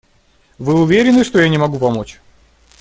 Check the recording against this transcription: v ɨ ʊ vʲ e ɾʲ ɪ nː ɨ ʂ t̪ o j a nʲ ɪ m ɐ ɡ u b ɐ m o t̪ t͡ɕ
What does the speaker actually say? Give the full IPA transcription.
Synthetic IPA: v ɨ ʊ vʲ e ɾʲ ɪ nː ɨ ʂ t̪ o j a nʲ ɪ m ɐ ɡ u p ɐ m o t͡ɕ